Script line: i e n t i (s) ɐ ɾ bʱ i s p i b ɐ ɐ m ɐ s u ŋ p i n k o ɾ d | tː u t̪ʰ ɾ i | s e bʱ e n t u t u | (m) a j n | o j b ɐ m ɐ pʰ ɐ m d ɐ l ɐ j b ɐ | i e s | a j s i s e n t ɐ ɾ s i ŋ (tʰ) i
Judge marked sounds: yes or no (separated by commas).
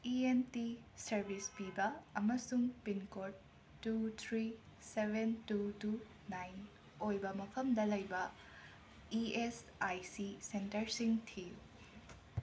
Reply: yes, no, yes